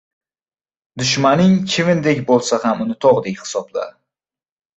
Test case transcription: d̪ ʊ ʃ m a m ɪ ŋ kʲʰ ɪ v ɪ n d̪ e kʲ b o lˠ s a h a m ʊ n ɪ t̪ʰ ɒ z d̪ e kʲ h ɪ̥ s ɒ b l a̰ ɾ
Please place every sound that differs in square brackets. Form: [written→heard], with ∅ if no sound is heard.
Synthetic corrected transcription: d̪ ʊ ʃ m a [m→n] ɪ ŋ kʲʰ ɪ v ɪ n d̪ e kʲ b o lˠ s a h a m ʊ n ɪ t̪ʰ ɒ [z→ʁ] d̪ e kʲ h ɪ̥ s ɒ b l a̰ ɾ